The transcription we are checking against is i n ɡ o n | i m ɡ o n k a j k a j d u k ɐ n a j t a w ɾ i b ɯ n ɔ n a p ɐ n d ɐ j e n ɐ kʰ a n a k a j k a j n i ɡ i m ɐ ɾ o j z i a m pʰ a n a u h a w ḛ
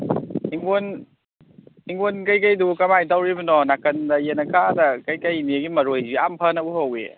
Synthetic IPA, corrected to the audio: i ŋ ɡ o n | i ŋ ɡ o n k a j k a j d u k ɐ m a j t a w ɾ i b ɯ n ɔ n a k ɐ n d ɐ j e n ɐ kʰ a d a k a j k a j n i ɡ i m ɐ ɾ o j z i a m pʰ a n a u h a w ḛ